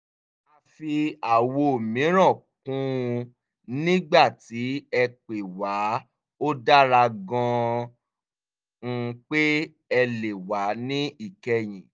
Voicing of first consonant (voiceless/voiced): voiceless